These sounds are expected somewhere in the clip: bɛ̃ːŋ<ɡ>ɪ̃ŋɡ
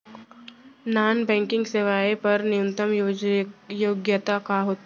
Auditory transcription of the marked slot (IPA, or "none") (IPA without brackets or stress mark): k